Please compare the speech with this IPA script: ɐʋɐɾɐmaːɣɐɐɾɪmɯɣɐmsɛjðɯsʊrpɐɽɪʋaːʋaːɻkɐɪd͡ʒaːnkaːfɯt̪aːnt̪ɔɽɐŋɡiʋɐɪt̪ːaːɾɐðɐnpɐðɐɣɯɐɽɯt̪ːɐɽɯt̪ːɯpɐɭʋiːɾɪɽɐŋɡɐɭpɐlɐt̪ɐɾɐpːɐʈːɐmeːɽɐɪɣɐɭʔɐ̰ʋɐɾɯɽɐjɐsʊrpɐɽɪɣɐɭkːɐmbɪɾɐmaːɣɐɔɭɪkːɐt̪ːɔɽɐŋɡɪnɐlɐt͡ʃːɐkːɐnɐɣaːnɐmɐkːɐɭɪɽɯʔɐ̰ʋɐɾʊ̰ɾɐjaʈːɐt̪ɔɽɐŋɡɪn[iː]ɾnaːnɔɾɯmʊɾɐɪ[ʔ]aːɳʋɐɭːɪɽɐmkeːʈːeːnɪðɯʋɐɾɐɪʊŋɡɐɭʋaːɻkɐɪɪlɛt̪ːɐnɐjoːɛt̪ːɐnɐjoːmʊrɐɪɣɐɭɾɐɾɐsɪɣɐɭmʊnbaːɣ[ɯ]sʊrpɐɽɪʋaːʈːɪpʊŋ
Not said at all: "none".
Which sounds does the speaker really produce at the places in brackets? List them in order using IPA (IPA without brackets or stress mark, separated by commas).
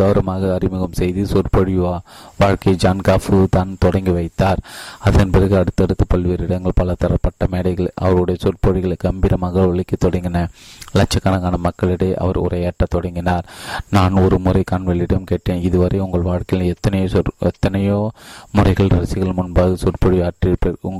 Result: aː, k, ɯ